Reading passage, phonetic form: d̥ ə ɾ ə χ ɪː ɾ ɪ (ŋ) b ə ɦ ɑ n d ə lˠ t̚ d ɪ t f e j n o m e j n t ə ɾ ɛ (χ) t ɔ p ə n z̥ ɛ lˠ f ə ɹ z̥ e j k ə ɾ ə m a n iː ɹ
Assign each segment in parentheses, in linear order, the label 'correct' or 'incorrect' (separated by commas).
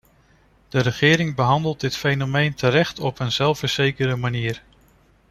correct, correct